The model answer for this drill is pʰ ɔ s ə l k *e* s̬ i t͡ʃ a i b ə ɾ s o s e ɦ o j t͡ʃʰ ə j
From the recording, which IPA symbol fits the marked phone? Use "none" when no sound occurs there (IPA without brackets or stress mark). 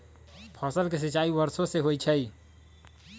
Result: e